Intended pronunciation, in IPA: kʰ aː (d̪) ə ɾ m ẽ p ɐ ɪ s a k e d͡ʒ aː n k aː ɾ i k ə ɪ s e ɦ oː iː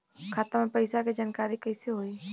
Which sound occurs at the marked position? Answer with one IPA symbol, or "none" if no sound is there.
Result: t̪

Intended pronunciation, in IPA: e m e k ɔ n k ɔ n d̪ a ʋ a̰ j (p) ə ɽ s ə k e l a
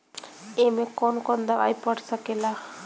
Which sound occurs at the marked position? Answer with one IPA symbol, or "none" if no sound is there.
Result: p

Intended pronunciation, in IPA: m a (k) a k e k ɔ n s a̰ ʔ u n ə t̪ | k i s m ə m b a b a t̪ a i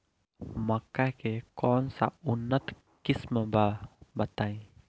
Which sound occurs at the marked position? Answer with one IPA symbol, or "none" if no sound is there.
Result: k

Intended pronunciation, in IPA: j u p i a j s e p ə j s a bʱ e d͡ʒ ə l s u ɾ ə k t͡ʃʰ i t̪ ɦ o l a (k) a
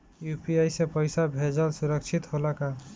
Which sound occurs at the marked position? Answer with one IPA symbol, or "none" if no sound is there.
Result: k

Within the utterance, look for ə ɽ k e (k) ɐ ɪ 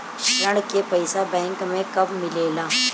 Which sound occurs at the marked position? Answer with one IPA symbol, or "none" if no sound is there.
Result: p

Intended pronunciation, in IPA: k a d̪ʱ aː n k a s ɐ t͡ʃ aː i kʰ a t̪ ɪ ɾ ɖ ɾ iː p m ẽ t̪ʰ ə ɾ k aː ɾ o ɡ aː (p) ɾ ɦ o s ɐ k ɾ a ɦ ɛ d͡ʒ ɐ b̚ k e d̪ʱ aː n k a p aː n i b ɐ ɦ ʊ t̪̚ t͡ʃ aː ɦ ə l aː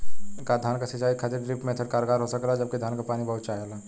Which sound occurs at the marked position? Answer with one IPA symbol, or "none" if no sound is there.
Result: none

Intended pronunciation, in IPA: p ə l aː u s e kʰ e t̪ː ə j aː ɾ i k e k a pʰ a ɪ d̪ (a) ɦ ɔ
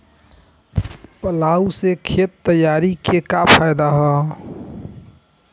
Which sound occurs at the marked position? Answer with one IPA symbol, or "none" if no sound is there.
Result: a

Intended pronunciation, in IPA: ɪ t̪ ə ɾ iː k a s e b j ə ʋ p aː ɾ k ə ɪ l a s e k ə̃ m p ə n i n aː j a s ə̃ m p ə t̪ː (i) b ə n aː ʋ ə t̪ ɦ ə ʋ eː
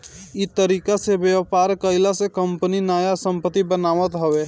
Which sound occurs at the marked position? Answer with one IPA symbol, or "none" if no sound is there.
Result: i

